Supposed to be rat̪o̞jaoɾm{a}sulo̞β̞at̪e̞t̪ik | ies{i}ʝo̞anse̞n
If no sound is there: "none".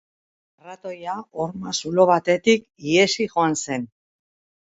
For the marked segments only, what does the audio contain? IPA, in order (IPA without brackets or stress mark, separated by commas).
a, i